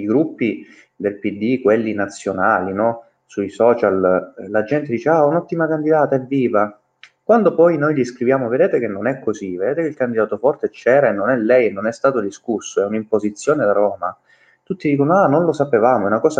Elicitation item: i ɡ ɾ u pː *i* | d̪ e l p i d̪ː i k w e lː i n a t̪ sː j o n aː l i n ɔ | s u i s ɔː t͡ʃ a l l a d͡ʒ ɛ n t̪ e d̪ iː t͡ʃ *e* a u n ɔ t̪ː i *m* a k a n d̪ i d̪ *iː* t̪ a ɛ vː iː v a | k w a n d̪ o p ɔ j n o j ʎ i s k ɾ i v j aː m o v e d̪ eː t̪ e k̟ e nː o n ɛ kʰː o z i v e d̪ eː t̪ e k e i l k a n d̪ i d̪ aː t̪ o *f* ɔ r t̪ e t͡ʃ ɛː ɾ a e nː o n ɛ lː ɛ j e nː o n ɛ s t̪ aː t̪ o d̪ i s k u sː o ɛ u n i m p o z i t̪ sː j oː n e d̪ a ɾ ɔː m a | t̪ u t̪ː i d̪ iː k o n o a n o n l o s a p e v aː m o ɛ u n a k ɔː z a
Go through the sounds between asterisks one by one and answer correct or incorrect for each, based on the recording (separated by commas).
correct, correct, correct, incorrect, correct